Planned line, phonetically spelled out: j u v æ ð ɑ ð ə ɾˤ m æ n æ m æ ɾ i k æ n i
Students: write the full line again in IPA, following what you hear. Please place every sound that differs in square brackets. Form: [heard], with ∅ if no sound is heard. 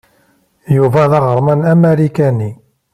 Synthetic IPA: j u v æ ð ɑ [ʁ] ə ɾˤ m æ n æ m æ ɾ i k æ n i